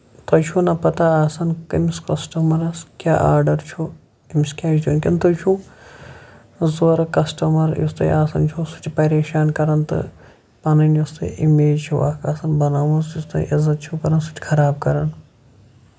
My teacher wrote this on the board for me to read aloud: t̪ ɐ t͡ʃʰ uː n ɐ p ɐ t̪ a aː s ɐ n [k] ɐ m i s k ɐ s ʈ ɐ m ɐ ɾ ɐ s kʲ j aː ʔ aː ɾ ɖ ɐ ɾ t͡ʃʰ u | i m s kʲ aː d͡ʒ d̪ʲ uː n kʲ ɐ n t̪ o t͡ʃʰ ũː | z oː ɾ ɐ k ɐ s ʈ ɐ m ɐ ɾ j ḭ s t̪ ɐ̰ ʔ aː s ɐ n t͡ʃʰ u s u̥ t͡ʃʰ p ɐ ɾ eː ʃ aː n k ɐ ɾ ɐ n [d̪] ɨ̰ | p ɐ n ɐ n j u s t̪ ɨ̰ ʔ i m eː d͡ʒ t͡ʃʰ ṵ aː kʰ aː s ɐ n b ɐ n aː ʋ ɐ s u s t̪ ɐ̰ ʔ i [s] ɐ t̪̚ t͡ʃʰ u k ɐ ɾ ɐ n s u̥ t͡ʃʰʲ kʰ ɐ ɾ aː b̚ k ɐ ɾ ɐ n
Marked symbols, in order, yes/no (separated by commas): yes, no, no